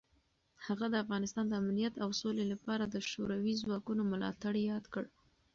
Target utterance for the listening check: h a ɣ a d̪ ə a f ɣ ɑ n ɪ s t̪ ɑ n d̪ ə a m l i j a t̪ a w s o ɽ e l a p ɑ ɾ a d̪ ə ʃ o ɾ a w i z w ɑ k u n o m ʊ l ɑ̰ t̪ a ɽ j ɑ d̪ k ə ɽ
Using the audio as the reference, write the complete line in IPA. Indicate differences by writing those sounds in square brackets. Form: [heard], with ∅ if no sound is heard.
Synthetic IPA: h a ɣ a d̪ ə a f ɣ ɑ n ɪ s t̪ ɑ n d̪ ə a m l i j a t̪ a w s o [l] e l a p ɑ ɾ a d̪ ə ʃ o ɾ a w i z w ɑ k u n o m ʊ l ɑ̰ t̪ a ɽ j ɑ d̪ k ə ɽ